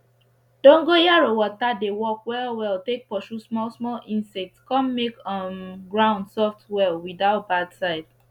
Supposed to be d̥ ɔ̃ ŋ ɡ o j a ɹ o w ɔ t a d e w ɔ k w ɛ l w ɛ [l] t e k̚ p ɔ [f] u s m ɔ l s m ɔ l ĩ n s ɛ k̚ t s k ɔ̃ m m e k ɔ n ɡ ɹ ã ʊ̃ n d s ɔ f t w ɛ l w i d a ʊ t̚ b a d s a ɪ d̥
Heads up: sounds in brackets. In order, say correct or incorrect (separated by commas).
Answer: correct, incorrect